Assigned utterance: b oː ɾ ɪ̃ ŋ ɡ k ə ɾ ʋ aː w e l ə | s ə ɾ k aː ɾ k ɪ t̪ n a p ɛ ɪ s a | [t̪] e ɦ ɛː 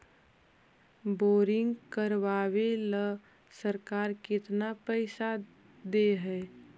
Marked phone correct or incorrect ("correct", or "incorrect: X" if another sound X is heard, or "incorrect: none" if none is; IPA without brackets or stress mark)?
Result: incorrect: d̪